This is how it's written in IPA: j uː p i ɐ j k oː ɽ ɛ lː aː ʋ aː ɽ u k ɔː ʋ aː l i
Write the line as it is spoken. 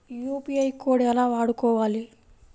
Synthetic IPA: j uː p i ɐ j k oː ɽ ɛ l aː ʋ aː ɽ u k ɔː ʋ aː l i